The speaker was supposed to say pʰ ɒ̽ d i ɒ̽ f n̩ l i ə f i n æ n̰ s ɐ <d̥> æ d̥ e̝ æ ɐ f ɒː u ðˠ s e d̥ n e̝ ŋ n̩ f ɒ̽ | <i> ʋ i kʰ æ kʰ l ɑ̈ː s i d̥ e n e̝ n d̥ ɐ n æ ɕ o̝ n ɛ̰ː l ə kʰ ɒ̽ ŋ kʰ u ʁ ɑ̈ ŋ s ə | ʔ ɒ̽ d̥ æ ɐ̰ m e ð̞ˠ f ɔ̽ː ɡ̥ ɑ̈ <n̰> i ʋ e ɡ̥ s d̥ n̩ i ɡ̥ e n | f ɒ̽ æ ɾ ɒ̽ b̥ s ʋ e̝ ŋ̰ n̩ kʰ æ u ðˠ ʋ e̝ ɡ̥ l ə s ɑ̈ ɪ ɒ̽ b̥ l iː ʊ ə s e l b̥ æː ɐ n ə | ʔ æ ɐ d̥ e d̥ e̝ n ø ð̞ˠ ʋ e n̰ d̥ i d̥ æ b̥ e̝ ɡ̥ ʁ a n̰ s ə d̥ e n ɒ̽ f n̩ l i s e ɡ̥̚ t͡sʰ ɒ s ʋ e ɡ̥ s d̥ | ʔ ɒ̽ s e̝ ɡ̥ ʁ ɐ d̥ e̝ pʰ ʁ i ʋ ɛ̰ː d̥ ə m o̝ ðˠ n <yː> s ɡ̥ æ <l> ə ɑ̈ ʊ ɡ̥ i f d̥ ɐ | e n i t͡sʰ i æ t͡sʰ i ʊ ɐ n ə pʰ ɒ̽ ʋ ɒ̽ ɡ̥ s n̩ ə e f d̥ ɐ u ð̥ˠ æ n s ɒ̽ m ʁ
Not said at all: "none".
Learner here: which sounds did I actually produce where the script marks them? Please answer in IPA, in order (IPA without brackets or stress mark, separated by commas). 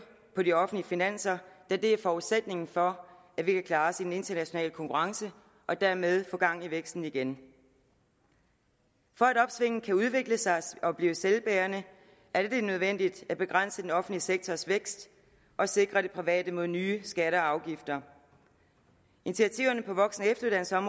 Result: d̥, æ, ŋ̰, yː, ɾ